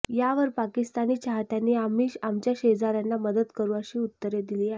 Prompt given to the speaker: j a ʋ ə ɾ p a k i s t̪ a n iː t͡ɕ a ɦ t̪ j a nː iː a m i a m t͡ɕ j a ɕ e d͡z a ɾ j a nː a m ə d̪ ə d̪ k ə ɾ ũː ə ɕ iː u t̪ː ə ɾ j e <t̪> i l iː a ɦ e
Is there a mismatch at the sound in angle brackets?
yes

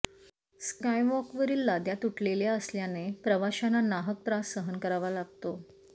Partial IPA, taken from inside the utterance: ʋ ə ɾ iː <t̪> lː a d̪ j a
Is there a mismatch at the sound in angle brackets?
yes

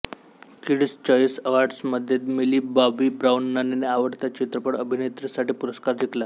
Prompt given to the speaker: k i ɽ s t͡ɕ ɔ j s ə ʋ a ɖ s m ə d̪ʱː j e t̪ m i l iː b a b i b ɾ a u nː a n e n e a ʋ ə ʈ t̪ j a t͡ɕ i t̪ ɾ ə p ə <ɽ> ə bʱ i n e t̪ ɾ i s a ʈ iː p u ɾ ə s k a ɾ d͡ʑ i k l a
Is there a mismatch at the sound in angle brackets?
no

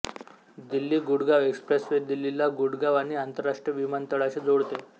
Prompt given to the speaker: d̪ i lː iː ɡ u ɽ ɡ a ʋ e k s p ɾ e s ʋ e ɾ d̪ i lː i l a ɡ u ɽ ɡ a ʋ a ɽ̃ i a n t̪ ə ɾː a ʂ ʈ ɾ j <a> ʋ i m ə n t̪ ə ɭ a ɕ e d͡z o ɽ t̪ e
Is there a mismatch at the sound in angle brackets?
yes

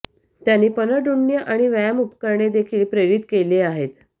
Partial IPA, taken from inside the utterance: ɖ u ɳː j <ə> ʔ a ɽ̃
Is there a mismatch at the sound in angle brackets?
no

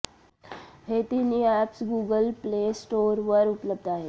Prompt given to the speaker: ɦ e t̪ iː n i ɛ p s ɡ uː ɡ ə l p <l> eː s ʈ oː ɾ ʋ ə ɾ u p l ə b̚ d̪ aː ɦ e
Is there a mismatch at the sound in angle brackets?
no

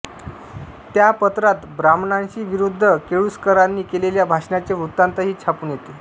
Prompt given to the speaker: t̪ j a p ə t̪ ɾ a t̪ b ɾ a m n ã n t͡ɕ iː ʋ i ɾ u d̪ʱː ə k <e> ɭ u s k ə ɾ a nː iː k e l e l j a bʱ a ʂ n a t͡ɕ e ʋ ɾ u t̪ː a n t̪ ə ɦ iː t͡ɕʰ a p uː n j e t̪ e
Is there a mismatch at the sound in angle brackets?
no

